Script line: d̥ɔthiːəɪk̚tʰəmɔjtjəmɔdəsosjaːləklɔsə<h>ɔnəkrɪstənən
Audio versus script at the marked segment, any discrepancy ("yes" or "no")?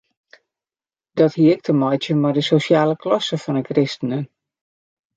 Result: yes